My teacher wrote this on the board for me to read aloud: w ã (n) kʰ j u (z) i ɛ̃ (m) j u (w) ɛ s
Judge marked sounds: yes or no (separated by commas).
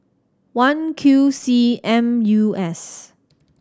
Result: yes, no, yes, no